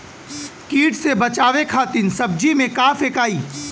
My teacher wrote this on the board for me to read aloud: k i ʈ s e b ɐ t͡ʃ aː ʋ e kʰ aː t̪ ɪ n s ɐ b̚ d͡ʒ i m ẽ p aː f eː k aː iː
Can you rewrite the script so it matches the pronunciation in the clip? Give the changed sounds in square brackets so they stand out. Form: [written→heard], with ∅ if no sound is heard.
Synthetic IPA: k [i→iː] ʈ s e b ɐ t͡ʃ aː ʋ e kʰ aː t̪ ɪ n s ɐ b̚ d͡ʒ i m ẽ [p→k] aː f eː k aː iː